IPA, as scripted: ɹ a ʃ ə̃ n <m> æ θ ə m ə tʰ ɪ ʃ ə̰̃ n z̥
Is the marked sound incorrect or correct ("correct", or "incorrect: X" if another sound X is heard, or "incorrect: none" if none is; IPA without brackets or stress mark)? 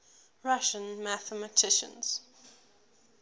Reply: correct